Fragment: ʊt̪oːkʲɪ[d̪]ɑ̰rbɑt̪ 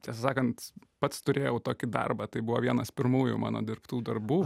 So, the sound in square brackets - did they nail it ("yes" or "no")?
yes